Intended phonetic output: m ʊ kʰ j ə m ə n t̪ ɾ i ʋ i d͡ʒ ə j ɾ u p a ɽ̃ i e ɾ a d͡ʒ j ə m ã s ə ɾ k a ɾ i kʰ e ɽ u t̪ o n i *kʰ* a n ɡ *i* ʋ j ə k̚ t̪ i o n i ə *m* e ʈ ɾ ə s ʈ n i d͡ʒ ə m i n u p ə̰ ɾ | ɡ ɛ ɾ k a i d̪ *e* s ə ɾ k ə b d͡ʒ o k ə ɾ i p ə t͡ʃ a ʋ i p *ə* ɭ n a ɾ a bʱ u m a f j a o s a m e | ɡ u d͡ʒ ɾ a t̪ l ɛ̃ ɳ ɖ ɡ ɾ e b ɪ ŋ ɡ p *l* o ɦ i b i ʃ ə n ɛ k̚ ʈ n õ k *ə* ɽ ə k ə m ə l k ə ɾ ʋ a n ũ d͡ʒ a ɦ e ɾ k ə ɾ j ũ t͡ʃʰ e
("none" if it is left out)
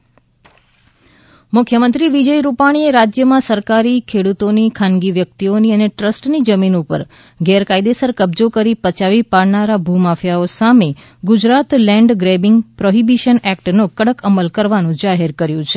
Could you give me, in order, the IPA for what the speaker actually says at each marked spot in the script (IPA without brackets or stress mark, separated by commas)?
kʰ, i, n, e, a, ɾ, ə